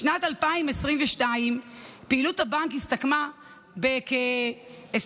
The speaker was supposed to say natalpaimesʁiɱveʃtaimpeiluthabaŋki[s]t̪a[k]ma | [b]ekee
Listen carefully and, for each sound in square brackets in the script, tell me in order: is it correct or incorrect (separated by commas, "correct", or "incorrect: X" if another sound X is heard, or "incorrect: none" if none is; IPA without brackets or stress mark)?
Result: correct, correct, correct